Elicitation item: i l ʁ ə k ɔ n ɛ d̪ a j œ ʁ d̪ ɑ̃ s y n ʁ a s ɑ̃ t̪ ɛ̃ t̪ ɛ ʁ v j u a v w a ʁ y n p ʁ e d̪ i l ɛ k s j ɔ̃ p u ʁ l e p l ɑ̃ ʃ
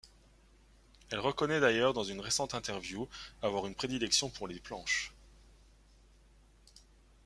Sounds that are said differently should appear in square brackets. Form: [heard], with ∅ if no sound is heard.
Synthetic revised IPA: [ɛ] l ʁ ə k ɔ n ɛ d̪ a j œ ʁ d̪ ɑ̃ [z] y n ʁ [e] s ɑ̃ t̪ ɛ̃ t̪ ɛ ʁ v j u a v w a ʁ y n p [χ] e d̪ i l ɛ k s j ɔ̃ p u ʁ l e p l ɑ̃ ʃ